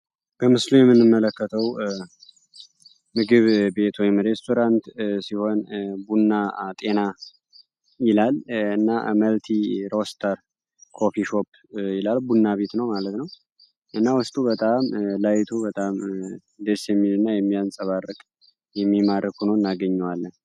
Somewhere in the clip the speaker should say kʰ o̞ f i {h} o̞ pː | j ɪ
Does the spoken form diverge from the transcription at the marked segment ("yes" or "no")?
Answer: yes